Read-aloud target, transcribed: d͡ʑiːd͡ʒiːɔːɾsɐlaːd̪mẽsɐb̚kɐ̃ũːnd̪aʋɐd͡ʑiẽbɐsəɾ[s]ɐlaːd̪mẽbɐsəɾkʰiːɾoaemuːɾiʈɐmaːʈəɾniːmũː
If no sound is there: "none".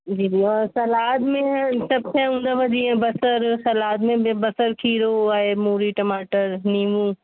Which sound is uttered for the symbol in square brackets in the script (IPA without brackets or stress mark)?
s